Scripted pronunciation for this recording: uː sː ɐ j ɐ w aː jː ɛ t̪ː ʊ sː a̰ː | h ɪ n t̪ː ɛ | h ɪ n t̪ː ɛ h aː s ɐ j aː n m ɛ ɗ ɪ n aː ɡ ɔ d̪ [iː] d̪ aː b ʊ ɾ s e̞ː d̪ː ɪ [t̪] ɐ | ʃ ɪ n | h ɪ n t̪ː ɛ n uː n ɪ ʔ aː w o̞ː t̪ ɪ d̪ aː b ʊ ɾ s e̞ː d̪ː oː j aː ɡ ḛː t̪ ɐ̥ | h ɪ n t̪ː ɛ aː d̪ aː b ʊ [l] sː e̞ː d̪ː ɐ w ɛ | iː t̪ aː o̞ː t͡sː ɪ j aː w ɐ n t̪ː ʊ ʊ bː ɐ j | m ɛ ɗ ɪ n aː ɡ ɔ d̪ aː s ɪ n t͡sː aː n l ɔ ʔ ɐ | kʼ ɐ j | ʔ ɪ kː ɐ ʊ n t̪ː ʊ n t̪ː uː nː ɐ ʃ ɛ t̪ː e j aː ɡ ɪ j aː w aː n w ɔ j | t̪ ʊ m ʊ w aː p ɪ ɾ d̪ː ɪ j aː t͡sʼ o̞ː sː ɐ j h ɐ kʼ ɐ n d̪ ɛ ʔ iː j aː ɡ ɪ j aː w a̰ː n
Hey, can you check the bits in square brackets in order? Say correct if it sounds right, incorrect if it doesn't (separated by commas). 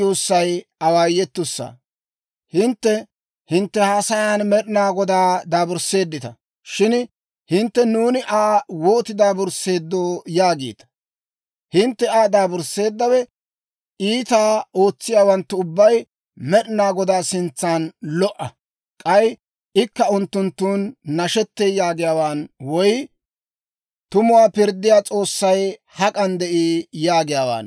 incorrect, correct, incorrect